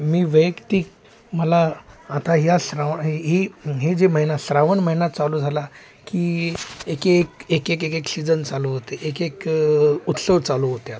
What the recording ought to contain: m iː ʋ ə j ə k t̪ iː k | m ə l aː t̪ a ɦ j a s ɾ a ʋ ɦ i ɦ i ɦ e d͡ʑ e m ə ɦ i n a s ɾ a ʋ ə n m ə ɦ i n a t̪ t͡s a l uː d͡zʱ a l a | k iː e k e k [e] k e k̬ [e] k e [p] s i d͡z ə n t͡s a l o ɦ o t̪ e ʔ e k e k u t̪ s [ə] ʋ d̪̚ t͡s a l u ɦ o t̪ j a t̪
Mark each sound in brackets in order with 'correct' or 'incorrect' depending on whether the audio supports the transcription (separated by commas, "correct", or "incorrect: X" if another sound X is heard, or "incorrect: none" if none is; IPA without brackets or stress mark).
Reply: correct, correct, incorrect: k, correct